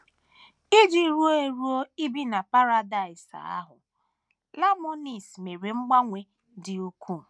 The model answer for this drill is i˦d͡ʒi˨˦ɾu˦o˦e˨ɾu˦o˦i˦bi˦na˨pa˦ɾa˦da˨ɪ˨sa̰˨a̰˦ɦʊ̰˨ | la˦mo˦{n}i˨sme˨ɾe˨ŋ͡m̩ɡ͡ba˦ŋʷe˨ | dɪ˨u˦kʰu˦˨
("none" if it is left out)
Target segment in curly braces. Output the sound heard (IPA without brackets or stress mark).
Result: n